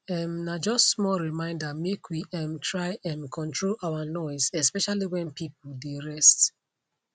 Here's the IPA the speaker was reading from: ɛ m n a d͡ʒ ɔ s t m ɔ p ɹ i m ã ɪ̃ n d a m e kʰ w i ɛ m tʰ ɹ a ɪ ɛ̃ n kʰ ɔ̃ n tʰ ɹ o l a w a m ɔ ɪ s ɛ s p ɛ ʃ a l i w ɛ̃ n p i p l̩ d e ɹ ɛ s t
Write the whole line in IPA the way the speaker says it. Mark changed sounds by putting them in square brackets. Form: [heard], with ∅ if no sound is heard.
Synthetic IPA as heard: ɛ m n a d͡ʒ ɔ s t m ɔ [∅] ɹ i m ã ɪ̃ n d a m e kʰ w i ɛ m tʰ ɹ a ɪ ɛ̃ n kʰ ɔ̃ n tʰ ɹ o l a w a [n] ɔ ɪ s ɛ s p ɛ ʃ a l i w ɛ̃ n p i p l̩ d e ɹ ɛ s t